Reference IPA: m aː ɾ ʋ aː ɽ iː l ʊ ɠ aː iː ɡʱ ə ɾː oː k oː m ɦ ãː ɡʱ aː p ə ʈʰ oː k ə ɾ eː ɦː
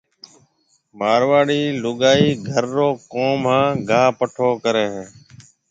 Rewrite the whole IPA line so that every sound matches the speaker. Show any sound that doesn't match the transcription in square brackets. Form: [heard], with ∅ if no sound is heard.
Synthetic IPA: m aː ɾ ʋ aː ɽ iː l ʊ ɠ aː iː ɡʱ ə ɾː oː k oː m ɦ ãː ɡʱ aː p ə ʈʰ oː k ə ɾ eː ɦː